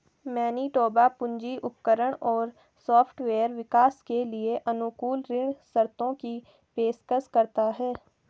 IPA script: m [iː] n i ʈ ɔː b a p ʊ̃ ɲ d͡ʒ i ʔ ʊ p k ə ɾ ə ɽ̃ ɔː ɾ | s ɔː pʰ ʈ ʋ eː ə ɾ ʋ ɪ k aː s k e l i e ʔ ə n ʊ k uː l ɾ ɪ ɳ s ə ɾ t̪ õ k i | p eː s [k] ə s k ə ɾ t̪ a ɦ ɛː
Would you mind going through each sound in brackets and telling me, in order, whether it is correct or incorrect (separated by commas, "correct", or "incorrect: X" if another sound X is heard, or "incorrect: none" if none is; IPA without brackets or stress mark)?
incorrect: ɛː, correct